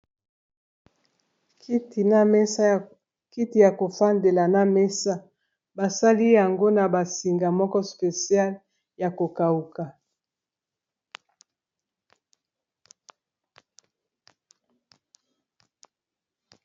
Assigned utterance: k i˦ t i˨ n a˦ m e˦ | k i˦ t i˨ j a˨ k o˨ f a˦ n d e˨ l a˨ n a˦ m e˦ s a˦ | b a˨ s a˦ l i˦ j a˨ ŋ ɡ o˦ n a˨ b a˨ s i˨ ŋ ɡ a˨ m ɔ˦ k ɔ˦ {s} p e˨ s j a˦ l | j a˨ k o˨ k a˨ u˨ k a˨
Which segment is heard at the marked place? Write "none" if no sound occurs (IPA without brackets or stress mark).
s